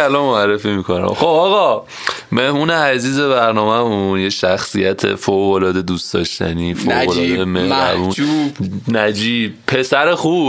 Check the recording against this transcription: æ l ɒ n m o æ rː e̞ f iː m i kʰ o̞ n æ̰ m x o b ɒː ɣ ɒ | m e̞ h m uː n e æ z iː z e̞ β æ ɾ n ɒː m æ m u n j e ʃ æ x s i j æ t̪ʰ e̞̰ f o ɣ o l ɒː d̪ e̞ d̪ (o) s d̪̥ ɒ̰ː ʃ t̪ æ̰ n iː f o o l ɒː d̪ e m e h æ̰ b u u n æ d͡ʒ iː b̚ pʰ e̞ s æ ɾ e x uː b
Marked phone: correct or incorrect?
incorrect